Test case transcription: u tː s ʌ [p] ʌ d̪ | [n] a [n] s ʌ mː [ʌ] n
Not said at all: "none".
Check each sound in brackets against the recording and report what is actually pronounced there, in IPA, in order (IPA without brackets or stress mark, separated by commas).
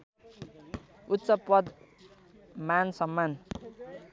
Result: p, m, n, a